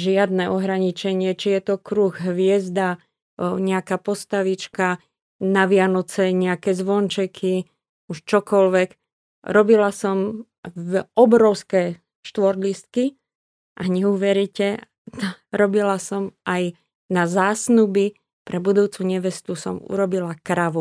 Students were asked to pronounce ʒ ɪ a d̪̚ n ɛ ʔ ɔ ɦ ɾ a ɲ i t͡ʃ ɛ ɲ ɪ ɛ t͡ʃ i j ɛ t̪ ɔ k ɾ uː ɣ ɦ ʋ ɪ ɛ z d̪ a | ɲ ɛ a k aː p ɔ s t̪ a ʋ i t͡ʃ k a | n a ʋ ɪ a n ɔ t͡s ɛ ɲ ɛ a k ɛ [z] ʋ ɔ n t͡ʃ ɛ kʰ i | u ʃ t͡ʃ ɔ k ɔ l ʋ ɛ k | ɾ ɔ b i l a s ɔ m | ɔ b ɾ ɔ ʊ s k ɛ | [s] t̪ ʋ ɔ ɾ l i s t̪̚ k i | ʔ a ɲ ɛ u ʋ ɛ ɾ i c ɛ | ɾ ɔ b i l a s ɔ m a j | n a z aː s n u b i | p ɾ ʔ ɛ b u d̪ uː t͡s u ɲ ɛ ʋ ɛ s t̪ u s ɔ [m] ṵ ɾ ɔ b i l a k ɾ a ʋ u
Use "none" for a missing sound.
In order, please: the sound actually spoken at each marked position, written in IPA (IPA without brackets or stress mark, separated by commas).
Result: z, ʃ, m